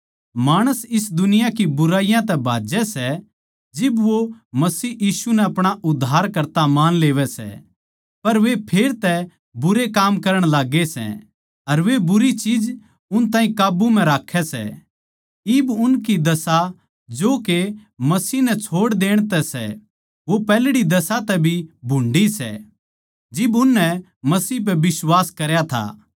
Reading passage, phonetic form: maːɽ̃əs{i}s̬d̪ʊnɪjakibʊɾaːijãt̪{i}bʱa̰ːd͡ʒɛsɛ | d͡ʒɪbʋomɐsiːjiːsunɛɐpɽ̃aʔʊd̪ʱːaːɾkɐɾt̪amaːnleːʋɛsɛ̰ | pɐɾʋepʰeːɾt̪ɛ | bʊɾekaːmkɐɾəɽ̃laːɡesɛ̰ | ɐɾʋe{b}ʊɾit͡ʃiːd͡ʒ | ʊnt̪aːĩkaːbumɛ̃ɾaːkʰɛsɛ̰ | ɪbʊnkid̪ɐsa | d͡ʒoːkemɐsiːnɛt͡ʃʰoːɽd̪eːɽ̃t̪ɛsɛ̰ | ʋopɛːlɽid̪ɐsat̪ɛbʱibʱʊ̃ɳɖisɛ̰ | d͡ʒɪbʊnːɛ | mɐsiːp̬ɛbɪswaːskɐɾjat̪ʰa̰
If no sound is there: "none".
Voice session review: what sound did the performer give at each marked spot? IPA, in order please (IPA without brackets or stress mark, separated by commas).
ɪ, ɛ, b